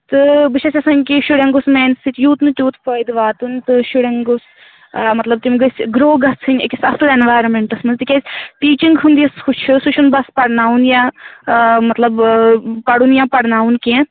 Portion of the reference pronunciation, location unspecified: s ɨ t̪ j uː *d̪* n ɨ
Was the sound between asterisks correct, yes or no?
no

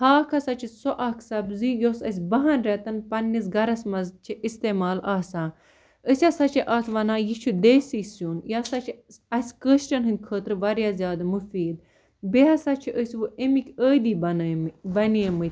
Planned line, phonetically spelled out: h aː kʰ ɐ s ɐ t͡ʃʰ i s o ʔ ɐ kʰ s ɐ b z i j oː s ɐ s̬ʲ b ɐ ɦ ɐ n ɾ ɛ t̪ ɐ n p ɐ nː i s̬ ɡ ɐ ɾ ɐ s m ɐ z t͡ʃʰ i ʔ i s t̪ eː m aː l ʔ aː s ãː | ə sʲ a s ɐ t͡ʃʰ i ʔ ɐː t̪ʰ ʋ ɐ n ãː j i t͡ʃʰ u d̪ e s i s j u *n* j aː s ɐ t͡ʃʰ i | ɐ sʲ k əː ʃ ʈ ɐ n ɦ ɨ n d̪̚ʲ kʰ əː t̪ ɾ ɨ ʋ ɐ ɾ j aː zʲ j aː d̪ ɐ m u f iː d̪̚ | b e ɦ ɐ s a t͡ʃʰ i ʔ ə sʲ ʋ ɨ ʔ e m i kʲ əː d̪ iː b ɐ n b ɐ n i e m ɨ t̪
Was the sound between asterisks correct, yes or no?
yes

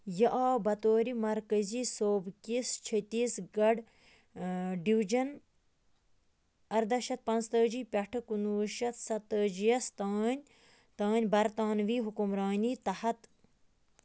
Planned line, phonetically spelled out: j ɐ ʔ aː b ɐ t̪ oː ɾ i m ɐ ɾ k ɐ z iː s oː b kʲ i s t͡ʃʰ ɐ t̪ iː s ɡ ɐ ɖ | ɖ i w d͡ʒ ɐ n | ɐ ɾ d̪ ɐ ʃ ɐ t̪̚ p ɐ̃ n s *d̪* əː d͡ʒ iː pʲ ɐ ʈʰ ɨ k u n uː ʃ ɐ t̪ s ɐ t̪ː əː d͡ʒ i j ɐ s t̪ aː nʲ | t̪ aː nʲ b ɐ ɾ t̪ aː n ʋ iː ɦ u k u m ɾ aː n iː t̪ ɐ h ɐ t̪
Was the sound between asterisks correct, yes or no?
no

